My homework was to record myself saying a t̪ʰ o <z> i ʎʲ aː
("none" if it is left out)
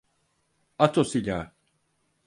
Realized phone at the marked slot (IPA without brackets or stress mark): s